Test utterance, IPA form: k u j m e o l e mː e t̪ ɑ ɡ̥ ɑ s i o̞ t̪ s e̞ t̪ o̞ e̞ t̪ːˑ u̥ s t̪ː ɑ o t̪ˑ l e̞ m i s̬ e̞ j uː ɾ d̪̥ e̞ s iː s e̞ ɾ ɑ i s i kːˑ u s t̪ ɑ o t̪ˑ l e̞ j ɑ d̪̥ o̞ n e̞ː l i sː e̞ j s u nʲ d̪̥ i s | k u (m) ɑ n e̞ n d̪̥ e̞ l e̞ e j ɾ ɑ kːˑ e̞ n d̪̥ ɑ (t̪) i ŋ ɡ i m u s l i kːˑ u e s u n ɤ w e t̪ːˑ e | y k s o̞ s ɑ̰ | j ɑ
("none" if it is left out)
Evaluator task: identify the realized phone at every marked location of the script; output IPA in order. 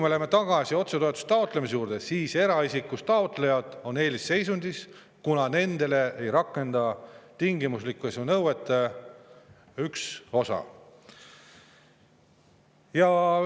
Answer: n, t̪

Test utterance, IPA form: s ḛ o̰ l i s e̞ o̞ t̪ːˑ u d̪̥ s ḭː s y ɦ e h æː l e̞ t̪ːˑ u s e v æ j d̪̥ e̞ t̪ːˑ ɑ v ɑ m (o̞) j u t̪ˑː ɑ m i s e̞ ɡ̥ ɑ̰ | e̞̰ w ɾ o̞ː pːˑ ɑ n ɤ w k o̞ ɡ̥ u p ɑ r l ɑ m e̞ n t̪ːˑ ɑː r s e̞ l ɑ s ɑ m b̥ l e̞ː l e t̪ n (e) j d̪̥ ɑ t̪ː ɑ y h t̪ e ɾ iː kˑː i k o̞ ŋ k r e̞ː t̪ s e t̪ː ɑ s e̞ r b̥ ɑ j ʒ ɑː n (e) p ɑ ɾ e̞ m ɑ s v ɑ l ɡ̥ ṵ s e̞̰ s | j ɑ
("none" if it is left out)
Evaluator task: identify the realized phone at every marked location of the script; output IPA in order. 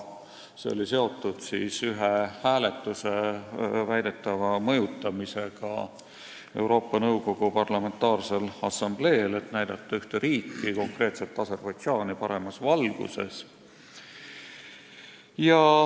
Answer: ɤ̞, æ, i

